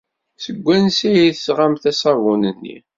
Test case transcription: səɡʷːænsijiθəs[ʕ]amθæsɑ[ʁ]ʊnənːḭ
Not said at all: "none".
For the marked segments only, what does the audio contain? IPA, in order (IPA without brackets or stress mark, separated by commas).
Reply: ʁ, v